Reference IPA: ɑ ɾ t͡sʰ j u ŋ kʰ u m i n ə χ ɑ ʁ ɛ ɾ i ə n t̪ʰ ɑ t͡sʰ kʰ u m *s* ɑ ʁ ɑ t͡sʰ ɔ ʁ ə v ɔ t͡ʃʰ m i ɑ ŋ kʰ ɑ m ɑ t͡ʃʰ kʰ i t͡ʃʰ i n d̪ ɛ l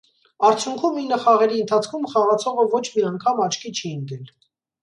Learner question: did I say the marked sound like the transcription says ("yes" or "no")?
no